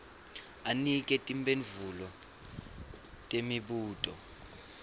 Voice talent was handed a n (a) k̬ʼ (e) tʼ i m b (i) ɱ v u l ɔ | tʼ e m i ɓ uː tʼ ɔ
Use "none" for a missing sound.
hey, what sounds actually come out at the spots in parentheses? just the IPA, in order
i, ɛ, e

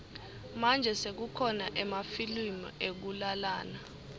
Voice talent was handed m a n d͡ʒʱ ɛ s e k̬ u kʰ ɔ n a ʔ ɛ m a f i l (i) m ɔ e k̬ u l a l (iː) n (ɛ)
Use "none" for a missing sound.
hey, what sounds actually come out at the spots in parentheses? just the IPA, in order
i, aː, a

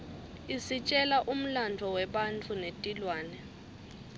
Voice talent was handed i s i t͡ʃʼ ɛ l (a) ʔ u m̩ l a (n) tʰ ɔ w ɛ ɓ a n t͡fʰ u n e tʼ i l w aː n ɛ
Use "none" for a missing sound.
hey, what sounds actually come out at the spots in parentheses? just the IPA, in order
a, n

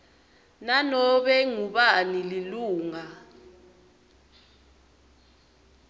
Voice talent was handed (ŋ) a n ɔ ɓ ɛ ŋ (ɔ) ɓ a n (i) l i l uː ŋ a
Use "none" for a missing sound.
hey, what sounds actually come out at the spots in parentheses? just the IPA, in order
n, u, i

